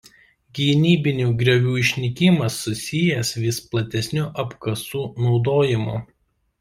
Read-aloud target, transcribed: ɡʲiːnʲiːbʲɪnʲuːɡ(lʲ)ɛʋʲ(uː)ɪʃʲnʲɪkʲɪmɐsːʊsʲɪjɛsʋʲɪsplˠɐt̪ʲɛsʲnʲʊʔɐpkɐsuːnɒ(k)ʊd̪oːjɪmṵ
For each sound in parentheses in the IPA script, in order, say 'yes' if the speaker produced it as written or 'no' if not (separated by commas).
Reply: no, yes, no